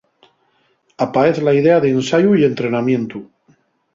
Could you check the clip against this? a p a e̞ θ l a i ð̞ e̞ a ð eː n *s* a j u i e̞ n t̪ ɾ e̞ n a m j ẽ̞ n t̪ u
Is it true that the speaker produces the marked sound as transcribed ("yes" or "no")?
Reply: yes